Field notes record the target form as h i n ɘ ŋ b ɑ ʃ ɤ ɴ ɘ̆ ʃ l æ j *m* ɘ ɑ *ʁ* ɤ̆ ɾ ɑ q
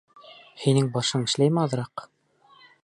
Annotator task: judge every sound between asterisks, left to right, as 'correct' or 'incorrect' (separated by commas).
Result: correct, incorrect